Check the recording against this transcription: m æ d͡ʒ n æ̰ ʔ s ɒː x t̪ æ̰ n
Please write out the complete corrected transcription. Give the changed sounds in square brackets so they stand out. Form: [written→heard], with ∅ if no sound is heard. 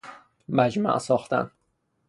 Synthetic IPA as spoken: m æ d͡ʒ [n→m] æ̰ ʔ s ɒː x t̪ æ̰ n